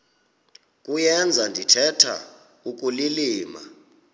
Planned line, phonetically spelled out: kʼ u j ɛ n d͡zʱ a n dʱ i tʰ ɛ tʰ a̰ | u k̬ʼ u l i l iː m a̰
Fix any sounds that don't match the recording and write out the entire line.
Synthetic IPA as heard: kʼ u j ɛ n d͡zʱ a n dʱ i tʰ ɛ tʰ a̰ | u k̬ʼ u l i l iː m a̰

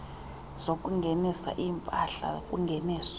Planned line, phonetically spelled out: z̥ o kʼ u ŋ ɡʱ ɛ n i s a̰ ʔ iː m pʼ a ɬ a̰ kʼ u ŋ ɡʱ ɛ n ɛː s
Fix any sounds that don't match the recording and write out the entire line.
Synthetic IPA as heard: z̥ o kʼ u ŋ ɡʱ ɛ n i s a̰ ʔ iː m pʼ a ɬ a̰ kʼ u ŋ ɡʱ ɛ n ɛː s

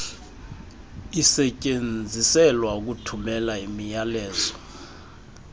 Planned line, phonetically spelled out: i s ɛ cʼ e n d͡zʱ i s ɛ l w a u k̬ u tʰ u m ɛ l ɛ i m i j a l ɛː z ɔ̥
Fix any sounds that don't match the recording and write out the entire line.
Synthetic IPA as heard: i s ɛ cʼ e n d͡zʱ i s ɛ l w a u k̬ u tʰ u m ɛ l a i m i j a l ɛː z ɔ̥

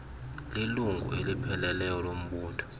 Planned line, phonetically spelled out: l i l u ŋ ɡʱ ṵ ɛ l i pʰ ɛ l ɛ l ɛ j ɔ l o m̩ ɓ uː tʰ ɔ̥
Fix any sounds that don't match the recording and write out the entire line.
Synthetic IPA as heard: l i l u ŋ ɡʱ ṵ e l i pʰ ɛ l ɛ l ɛ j ɔ l o m̩ ɓ uː tʰ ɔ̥

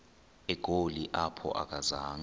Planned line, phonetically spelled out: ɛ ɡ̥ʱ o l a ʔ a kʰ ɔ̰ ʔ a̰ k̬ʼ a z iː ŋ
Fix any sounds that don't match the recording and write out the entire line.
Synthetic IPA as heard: ɛ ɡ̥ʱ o l i ʔ a pʰ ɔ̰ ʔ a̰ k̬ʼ a z aː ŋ

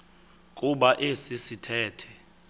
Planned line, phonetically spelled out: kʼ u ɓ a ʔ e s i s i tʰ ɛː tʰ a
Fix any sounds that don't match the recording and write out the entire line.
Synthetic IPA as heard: kʼ u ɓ a ʔ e s i s i tʰ ɛː tʰ ɛ

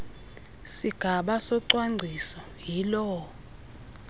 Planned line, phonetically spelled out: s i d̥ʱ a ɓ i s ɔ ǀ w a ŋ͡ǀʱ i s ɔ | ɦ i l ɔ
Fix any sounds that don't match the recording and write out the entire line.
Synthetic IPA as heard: s i ɡ̥ʱ a ɓ a s ɔ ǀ w a ŋ͡ǀʱ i s ɔ | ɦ i l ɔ

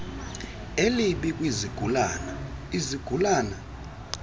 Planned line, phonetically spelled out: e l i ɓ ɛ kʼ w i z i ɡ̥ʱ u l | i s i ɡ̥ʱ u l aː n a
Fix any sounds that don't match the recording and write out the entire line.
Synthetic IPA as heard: e l i ɓ i kʼ w i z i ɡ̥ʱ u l | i z i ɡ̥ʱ u l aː n a

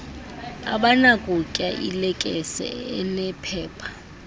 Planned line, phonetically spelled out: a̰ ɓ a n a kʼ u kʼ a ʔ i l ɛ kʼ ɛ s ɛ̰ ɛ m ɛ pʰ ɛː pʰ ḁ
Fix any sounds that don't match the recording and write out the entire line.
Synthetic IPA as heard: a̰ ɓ a n a kʼ u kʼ a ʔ i l ɛ kʼ ɛ s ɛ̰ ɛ n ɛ pʰ ɛː pʰ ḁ

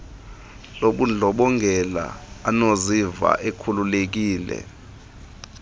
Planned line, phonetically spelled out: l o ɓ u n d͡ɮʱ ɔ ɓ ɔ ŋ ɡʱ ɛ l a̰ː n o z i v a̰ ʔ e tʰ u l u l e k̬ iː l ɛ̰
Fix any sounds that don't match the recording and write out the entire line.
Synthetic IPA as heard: l o ɓ u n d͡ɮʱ ɔ ɓ ɔ ŋ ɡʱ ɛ l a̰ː n o z i v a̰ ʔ e kʰ u l u l e k̬ iː l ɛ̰

